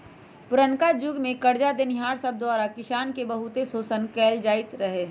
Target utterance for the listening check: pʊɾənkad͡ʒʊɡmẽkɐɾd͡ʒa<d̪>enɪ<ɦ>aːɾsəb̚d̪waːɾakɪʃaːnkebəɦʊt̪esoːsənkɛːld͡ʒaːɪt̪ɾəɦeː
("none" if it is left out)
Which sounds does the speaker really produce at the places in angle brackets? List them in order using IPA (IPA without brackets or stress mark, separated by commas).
d̪, ɦ